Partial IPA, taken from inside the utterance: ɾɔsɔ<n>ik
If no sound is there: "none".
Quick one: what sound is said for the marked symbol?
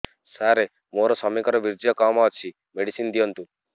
m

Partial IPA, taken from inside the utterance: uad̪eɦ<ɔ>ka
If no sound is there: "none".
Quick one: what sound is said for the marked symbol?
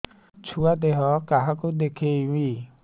ɔ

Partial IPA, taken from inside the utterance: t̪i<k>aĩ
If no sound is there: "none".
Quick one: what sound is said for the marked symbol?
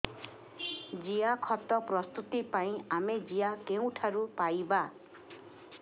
p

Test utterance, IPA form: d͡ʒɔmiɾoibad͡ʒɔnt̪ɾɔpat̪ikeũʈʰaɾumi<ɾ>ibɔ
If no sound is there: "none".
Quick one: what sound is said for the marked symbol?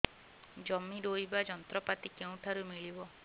ɭ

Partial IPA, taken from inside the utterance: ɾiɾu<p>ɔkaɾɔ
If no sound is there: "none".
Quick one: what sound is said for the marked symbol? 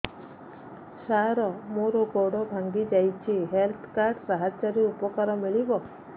p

